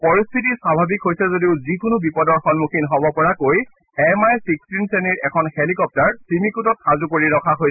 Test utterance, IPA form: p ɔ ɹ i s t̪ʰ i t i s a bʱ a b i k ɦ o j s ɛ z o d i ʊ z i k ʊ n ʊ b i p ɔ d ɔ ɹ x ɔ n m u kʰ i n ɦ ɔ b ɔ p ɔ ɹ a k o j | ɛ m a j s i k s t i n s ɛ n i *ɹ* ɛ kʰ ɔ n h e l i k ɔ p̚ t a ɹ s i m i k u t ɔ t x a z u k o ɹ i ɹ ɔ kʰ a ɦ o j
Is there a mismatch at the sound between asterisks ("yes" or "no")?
no